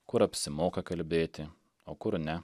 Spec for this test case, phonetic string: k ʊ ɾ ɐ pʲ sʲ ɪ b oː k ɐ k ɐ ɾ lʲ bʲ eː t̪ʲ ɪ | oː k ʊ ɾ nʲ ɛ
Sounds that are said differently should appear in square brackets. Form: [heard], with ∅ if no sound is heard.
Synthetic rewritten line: k ʊ ɾ ɐ pʲ sʲ ɪ [m] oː k ɐ k ɐ [∅] lʲ bʲ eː t̪ʲ ɪ | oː k ʊ ɾ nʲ ɛ